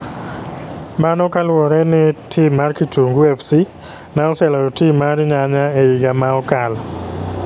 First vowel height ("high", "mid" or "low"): low